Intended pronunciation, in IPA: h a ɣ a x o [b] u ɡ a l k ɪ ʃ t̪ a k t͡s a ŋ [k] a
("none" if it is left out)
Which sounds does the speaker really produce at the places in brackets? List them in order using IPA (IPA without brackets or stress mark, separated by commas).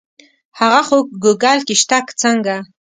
ɡ, ɡ